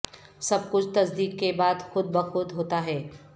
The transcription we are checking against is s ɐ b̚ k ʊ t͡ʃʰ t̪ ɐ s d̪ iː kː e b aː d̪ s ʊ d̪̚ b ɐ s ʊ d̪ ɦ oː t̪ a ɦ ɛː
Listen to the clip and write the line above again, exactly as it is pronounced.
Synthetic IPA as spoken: s ɐ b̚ k ʊ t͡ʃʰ t̪ ɐ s d̪ iː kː e b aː d̪ x ʊ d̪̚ b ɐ x ʊ d̪ ɦ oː t̪ a ɦ ɛː